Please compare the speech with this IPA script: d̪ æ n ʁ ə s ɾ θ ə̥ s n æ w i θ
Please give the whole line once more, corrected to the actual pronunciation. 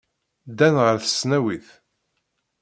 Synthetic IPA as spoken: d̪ æ n ʁ ə ɾ θ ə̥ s n æ w i θ